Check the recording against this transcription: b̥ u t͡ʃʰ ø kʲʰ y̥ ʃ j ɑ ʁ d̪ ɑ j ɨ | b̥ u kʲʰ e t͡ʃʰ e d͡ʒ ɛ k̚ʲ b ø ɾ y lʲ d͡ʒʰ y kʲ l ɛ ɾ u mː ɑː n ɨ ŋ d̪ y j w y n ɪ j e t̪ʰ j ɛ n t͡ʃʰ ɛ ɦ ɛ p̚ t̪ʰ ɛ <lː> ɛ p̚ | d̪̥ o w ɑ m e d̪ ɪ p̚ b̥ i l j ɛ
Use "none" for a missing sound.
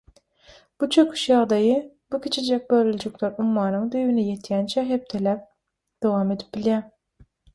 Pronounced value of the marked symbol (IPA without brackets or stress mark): l